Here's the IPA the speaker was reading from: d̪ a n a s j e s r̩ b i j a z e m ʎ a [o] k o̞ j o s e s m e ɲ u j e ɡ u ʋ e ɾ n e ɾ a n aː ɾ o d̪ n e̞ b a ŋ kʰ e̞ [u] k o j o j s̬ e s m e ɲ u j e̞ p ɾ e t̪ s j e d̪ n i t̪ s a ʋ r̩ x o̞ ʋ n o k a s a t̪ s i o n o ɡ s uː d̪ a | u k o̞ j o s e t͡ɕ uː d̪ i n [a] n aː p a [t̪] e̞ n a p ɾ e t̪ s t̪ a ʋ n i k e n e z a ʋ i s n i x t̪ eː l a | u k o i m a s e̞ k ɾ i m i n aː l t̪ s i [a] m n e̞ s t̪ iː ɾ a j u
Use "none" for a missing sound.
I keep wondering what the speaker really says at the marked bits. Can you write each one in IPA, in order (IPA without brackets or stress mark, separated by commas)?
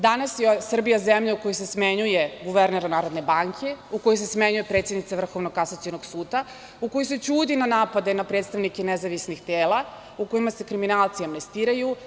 u, u, a, d̪, a